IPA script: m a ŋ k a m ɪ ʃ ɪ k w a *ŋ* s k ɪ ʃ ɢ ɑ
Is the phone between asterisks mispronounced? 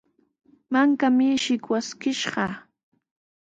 yes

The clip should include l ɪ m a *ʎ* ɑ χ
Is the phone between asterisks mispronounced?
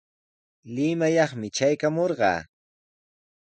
yes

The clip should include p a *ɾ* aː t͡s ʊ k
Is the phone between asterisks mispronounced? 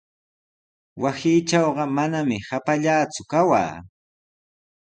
yes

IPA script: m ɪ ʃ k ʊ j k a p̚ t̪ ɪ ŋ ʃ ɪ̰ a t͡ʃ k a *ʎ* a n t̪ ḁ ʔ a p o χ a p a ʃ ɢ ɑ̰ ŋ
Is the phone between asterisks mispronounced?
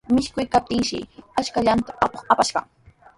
no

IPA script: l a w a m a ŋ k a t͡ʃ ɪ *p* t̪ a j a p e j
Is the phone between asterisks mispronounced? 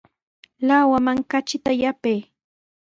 yes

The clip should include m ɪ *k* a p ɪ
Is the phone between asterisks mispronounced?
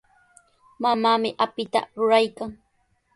yes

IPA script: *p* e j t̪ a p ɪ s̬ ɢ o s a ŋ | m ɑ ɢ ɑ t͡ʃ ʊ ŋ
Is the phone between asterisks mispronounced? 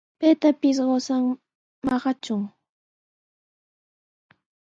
no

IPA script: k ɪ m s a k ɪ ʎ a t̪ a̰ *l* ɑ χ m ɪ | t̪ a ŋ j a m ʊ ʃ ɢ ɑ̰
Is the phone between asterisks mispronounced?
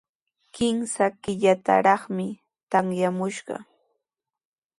yes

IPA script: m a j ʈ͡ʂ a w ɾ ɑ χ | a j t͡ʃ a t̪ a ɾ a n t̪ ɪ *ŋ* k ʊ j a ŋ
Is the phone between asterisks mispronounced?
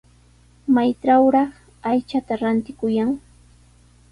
yes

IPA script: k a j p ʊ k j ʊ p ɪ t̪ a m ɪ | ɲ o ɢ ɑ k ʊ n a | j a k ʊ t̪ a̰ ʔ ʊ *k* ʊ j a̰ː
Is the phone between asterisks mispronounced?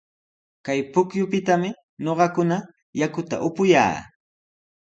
yes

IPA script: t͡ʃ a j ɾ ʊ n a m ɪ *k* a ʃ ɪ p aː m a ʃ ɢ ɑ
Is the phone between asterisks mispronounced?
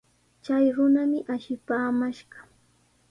yes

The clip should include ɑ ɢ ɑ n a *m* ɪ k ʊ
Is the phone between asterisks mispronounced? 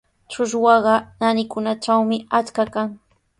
yes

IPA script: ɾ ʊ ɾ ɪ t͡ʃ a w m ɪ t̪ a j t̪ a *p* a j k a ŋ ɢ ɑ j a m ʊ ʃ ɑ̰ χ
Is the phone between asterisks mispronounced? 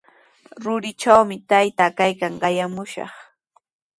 yes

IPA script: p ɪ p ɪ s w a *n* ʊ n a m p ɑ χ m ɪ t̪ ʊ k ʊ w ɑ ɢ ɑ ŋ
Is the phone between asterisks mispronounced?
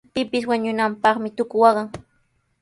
yes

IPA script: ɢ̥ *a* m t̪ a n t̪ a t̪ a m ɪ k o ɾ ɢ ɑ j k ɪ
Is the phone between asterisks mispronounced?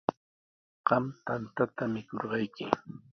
yes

